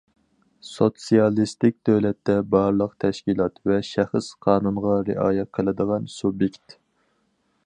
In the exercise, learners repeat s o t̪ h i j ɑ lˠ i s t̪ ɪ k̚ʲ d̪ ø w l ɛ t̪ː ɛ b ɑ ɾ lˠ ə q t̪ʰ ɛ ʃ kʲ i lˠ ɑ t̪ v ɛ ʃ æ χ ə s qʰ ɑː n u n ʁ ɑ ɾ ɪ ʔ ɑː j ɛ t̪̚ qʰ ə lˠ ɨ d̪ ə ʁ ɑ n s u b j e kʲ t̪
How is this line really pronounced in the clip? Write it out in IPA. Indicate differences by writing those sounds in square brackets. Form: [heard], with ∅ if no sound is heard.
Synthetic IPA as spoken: s o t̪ [s] i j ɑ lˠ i s t̪ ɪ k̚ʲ d̪ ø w l ɛ t̪ː ɛ b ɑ ɾ lˠ ə q t̪ʰ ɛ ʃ kʲ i lˠ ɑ t̪ v ɛ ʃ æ χ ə s qʰ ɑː n u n ʁ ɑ ɾ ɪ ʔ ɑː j ɛ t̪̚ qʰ ə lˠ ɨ d̪ ə ʁ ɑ n s u b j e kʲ t̪